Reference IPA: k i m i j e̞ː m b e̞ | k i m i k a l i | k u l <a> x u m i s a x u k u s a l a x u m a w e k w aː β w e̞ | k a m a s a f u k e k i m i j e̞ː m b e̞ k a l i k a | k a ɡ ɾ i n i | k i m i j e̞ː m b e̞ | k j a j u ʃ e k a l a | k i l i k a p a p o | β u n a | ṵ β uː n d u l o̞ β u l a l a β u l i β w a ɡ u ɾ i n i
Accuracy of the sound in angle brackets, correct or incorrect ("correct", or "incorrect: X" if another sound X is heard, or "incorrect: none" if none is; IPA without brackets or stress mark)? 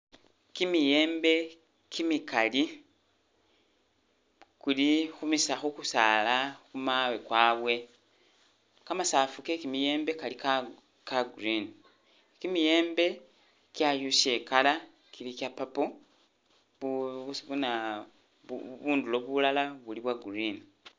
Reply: incorrect: i